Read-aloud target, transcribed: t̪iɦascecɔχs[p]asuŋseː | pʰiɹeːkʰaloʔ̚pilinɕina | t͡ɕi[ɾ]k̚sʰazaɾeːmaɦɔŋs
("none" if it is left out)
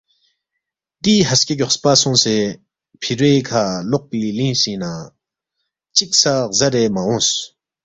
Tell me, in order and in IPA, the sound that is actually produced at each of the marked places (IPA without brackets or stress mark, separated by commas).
p, none